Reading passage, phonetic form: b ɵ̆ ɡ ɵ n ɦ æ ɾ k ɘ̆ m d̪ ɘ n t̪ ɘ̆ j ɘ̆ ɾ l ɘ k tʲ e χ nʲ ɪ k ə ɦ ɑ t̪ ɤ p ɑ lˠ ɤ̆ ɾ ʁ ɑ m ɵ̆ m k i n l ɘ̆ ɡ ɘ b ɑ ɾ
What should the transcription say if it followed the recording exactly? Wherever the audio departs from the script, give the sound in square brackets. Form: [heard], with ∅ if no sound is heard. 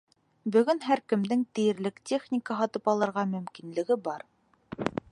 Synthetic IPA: b ɵ̆ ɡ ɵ n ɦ æ ɾ k ɘ̆ m d̪ ɘ [ŋ] t̪ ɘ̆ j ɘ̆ ɾ l ɘ k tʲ e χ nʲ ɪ k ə ɦ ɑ t̪ ɤ p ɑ lˠ ɤ̆ ɾ ʁ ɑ m ɵ̆ m k i n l ɘ̆ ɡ ɘ b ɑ ɾ